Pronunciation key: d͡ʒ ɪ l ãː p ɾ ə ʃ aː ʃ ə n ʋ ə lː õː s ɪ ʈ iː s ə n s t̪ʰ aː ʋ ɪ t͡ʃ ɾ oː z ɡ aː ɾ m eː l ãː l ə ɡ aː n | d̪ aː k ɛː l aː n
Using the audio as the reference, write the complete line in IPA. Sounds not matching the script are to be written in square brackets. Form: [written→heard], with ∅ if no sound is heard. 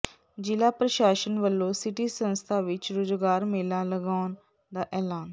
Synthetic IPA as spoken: d͡ʒ ɪ l [ãː→aː] p ɾ ə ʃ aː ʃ ə n ʋ ə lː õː s ɪ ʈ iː s ə n s t̪ʰ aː ʋ ɪ t͡ʃ ɾ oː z ɡ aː ɾ m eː l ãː l ə ɡ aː n | d̪ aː [k→ʔ] ɛː l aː n